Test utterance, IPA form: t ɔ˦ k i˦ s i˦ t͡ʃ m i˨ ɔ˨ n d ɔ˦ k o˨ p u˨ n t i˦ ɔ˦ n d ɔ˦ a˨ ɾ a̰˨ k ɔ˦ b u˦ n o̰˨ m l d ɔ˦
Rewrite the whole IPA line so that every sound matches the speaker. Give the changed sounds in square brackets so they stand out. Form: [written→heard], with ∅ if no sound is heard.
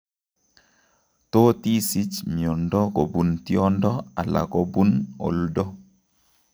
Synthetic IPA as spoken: t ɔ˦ [k→t] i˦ s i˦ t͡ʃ m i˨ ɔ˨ n d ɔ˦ k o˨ [p→b] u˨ n t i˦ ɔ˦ n d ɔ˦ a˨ [ɾ→l] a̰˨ k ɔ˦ b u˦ n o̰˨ [m→∅] l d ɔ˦